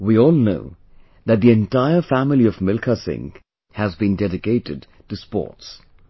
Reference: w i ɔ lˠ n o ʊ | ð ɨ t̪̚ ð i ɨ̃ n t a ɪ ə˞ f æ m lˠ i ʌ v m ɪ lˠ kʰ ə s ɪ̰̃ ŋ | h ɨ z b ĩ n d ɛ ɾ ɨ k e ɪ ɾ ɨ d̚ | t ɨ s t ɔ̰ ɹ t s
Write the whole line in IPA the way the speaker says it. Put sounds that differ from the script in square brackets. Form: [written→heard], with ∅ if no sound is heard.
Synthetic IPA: w i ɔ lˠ n o ʊ | ð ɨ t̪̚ ð i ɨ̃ n t a ɪ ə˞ f æ m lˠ i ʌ v m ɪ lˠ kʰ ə s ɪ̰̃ ŋ | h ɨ z b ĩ n d ɛ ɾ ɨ k e ɪ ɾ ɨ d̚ | t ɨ s [t→p] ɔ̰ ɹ t s

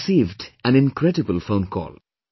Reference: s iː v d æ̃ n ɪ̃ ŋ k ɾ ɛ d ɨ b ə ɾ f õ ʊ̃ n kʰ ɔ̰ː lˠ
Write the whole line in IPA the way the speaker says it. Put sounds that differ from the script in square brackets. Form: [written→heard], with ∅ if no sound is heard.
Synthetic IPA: s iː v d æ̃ n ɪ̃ [ŋ→n] k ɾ ɛ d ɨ b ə [ɾ→l] f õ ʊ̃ n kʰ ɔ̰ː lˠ

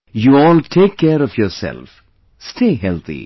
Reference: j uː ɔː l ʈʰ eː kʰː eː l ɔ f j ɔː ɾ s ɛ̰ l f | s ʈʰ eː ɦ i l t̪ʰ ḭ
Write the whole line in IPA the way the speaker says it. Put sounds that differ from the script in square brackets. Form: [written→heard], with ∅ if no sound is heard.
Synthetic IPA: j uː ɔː l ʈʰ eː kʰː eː [l→ɾ] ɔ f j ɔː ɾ s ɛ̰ l f | s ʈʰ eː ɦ [i→ɛ] l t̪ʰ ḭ

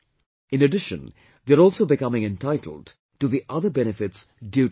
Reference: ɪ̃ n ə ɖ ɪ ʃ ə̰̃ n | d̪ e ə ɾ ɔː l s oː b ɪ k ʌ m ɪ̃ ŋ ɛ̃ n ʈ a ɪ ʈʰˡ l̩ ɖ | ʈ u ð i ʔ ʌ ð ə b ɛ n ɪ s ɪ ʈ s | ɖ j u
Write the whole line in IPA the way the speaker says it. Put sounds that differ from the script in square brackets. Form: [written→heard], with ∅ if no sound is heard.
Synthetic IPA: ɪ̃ n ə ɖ ɪ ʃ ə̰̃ n | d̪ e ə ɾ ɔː l s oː b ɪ k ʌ m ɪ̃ ŋ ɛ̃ n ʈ a ɪ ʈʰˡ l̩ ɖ | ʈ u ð i ʔ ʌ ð ə b ɛ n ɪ [s→f] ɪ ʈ s | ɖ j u

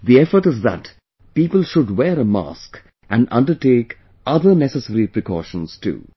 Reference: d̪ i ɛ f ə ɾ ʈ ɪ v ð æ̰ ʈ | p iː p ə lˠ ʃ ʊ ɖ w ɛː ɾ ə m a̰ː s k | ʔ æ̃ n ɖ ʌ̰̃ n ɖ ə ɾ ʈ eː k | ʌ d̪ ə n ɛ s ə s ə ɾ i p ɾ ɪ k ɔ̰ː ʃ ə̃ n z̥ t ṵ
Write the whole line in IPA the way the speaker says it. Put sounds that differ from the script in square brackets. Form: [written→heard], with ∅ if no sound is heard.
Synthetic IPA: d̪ i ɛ f ə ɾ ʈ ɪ [v→z] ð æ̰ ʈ | p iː p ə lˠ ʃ ʊ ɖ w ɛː ɾ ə m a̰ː s k | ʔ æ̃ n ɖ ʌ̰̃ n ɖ ə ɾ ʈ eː k | ʌ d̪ ə n ɛ s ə s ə ɾ i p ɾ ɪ k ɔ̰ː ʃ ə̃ n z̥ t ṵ

